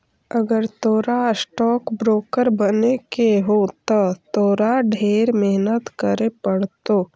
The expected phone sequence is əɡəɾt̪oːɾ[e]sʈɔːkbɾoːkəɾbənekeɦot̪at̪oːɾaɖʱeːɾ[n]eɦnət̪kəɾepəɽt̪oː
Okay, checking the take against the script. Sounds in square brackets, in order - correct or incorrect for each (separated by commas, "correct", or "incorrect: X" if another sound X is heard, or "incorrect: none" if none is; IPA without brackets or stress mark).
incorrect: a, incorrect: m